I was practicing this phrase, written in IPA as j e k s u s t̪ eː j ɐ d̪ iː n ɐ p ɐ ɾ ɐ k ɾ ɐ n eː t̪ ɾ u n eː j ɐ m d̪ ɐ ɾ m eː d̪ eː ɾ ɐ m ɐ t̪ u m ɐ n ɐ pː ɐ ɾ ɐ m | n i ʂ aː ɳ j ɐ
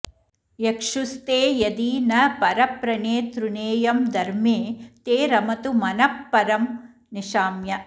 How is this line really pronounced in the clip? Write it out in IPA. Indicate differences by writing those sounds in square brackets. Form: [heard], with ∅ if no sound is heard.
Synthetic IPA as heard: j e k [ʂ] u s t̪ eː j ɐ d̪ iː n ɐ p ɐ ɾ ɐ [p] ɾ ɐ n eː t̪ ɾ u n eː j ɐ m d̪ ɐ ɾ m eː [t̪] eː ɾ ɐ m ɐ t̪ u m ɐ n ɐ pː ɐ ɾ ɐ m | n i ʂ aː [m] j ɐ